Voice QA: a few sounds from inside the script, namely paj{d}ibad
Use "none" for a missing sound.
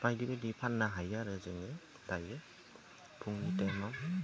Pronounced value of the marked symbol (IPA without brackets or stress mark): d